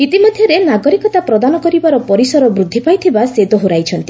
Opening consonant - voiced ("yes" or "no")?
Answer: no